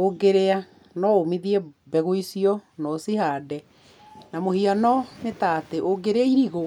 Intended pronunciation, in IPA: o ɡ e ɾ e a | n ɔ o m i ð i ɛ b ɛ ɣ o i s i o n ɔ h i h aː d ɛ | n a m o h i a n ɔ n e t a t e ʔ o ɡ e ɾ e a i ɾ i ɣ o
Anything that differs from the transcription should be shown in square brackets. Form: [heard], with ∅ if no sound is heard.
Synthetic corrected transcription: o ɡ e ɾ e a | n ɔ o m i ð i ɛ b ɛ ɣ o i s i [ɔ] n ɔ [s] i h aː d ɛ | n a m o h i a n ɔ n e t a t e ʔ o ɡ e ɾ e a i ɾ i ɣ o